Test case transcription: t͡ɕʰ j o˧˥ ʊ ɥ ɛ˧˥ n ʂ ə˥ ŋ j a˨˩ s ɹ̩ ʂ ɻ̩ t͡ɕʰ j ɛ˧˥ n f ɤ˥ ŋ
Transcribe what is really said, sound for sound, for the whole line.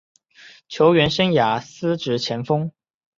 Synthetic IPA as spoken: t͡ɕʰ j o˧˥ ʊ ɥ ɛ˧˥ n ʂ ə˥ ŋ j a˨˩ s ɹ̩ ʈ͡ʂ ɻ̩ t͡ɕʰ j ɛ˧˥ n f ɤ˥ ŋ

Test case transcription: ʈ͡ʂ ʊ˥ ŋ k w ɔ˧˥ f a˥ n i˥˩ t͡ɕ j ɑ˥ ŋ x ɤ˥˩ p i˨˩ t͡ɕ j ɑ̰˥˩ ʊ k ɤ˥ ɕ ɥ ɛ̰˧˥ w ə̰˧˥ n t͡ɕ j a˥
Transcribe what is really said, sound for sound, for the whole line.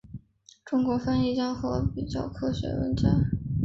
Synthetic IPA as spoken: ʈ͡ʂ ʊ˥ ŋ k w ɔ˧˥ f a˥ n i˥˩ t͡ɕ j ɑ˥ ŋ x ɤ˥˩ p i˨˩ t͡ɕ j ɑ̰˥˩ ʊ kʰ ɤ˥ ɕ ɥ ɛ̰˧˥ w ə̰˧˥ n t͡ɕ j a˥

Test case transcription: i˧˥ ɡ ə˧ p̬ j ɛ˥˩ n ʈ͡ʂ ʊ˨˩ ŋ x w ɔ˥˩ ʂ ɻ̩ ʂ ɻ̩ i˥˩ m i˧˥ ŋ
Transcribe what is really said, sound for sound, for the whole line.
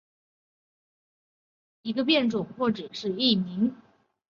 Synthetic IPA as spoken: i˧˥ ɡ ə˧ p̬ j ɛ˥˩ n ʈ͡ʂ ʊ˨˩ ŋ x w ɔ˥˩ ʈ͡ʂ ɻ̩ ʂ ɻ̩ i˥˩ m i˧˥ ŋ

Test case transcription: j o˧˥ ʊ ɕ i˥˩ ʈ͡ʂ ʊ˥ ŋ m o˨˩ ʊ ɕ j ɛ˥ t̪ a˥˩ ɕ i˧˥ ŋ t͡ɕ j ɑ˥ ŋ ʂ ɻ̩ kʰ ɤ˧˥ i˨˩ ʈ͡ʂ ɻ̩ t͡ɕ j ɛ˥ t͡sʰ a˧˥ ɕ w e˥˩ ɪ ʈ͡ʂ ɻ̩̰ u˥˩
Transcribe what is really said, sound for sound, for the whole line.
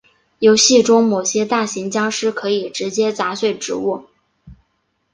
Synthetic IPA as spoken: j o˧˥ ʊ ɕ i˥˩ ʈ͡ʂ ʊ˥ ŋ m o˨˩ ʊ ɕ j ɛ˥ t̪ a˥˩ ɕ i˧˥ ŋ t͡ɕ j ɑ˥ ŋ ʂ ɻ̩ kʰ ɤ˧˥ i˨˩ ʈ͡ʂ ɻ̩ t͡ɕ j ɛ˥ t͡s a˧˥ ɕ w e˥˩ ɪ ʈ͡ʂ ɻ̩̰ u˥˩

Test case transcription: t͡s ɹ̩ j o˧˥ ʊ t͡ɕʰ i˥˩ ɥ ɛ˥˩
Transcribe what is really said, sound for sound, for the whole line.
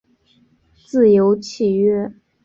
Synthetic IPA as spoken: t͡s ɹ̩ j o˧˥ ʊ t͡ɕʰ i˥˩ ɥ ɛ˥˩

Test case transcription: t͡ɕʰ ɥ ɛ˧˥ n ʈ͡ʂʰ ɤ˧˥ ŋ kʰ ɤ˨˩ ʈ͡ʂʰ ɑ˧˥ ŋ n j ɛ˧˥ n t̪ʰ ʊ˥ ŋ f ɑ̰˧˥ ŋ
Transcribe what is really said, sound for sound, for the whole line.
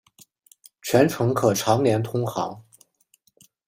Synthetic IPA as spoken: t͡ɕʰ ɥ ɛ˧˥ n ʈ͡ʂʰ ɤ˧˥ ŋ kʰ ɤ˨˩ ʈ͡ʂʰ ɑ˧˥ ŋ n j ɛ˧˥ n t̪ʰ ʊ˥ ŋ x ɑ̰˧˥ ŋ

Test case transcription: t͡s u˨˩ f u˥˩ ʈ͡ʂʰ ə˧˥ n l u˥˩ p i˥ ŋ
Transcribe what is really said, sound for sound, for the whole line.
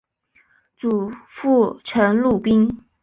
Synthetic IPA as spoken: t͡s u˨˩ f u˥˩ ʈ͡ʂʰ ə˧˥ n l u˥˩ p i˥ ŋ

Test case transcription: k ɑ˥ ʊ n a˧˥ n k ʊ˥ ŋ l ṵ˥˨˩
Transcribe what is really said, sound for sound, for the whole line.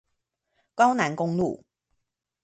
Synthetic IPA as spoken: k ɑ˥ ʊ n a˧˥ n k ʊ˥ ŋ l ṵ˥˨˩

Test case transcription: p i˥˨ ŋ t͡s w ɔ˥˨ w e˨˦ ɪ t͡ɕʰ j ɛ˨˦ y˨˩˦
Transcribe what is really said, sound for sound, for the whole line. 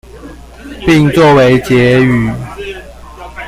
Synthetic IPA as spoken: p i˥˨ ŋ t͡s w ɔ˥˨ w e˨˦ ɪ t͡ɕ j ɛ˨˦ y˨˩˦

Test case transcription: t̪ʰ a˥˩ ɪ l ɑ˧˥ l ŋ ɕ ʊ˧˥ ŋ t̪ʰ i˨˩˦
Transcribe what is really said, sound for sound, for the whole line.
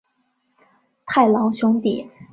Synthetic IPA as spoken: t̪ʰ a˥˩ ɪ l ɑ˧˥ ŋ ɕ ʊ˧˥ ŋ t̪ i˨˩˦

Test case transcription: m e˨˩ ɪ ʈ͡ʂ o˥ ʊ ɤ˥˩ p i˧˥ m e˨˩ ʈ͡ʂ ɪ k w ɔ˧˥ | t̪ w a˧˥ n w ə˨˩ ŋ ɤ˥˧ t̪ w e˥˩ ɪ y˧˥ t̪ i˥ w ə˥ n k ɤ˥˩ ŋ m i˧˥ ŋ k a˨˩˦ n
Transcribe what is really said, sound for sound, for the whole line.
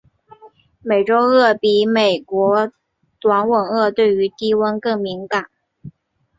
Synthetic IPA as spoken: m e˨˩ ɪ ʈ͡ʂ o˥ ʊ ɤ˥˩ p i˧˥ m e˨˩ ɪ k w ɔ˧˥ | t̪ w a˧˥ n w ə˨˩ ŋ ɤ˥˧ t̪ w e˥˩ ɪ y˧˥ t̪ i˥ w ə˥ n k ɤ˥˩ ŋ m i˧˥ ŋ k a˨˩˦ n

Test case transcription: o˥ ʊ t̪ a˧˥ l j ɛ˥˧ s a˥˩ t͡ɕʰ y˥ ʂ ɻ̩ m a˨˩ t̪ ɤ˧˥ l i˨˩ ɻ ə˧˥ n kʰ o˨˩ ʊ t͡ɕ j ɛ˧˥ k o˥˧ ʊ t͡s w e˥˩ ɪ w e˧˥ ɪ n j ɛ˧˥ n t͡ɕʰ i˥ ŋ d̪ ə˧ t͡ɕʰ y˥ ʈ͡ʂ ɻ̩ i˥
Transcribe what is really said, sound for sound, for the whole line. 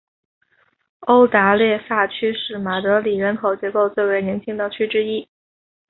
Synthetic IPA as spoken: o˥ ʊ t̪ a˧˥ l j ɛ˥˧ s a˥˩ t͡ɕʰ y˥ ʂ ɻ̩ m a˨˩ t̪ ɤ˧˥ l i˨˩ ɻ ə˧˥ n kʰ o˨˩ ʊ t͡ɕ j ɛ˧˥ k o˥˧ ʊ t͡s w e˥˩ ɪ w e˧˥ ɪ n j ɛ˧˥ n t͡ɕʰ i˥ ŋ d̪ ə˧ t͡ɕʰ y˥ ʈ͡ʂ ɻ̩ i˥

